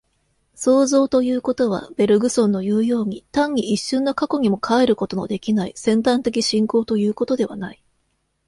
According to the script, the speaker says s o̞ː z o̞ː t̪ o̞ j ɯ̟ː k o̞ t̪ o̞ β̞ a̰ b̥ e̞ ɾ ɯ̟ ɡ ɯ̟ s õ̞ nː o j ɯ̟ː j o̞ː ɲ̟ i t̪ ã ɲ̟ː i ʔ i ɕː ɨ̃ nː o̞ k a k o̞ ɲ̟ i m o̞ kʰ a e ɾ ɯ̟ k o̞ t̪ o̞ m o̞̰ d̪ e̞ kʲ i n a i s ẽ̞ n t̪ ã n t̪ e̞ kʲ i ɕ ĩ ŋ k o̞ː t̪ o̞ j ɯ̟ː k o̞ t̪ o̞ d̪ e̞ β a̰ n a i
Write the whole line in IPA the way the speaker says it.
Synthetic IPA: s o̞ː z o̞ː t̪ o̞ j ɯ̟ː k o̞ t̪ o̞ β̞ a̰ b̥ e̞ ɾ ɯ̟ ɡ ɯ̟ s õ̞ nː o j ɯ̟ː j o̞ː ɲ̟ i t̪ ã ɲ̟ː i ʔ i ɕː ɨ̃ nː o̞ k a k o̞ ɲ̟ i m o̞ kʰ a e ɾ ɯ̟ k o̞ t̪ o̞ n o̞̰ d̪ e̞ kʲ i n a i s ẽ̞ n t̪ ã n t̪ e̞ kʲ i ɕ ĩ ŋ k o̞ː t̪ o̞ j ɯ̟ː k o̞ t̪ o̞ d̪ e̞ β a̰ n a i